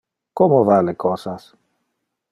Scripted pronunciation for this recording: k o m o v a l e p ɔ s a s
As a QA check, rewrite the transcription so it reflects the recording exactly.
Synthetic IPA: k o m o v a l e k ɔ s a s